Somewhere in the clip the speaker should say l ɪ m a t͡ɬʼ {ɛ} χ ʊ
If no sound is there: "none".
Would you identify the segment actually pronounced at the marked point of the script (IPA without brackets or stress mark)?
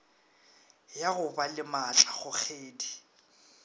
a